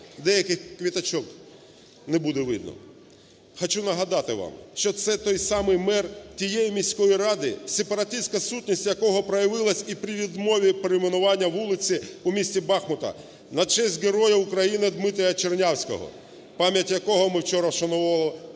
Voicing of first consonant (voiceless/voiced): voiced